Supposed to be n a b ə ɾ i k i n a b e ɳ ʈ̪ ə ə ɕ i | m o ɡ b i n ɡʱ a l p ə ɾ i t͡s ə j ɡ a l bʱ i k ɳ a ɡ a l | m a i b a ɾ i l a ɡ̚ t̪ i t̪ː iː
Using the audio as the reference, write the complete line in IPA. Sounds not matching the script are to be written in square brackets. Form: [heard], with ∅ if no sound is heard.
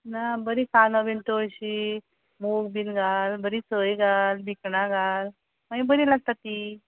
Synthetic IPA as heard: n a b ə ɾ i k [a] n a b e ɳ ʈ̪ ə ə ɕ i | m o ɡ b i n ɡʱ a l [b] ə ɾ i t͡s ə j ɡ a l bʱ i k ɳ a ɡ a l | m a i b [ə] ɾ i l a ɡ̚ t̪ [a] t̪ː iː